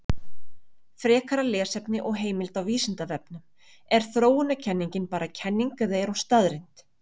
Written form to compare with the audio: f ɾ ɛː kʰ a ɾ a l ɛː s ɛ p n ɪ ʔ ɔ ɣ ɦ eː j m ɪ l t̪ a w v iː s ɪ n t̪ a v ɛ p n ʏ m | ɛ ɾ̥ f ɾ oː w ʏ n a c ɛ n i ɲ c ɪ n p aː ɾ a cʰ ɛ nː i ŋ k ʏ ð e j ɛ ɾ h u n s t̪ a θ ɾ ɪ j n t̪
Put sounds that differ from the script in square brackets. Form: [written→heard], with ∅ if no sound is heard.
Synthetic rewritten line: f ɾ ɛː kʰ a ɾ a l ɛː s ɛ p n ɪ ʔ ɔ ɣ ɦ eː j m ɪ l t̪ a w v iː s ɪ n t̪ a v ɛ p n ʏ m | ɛ ɾ̥ [f→θ] ɾ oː w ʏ n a [c→cʰ] ɛ [n→nː] i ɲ c ɪ n p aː ɾ a cʰ ɛ nː i ŋ k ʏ ð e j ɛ ɾ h u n s t̪ a [θ→ð] ɾ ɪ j n t̪

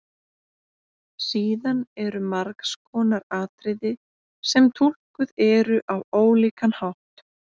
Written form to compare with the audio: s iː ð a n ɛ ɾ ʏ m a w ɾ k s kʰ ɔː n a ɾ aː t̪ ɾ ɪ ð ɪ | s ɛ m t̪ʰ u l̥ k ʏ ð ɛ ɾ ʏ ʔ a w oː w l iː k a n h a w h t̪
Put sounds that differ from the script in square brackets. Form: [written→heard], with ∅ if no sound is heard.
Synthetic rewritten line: s iː ð a n ɛ ɾ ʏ m a [w→∅] ɾ k s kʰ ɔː n a ɾ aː t̪ ɾ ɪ ð ɪ | s ɛ m t̪ʰ u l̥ k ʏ ð ɛ ɾ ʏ ʔ a w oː w l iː k a n h a w h t̪

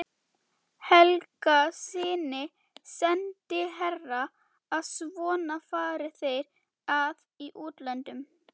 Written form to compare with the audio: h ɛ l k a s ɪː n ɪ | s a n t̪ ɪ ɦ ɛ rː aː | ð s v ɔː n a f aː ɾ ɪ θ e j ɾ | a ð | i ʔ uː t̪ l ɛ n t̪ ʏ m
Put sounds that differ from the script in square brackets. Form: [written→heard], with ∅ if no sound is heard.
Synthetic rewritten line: h ɛ l k a s ɪː n ɪ | s [a→ɛ] n t̪ ɪ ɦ ɛ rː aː | ð s v ɔː n a f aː ɾ ɪ θ e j ɾ | a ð | i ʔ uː t̪ l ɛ n t̪ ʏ m

